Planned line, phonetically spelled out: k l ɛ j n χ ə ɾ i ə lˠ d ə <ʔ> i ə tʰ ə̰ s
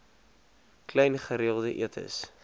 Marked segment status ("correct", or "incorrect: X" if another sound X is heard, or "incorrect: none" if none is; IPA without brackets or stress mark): correct